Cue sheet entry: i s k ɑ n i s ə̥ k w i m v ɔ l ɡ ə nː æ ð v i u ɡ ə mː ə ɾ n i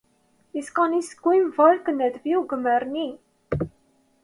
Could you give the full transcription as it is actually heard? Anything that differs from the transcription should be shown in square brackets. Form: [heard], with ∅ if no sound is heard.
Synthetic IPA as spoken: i s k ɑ n i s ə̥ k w i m v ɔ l [k] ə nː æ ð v i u ɡ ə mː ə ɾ n i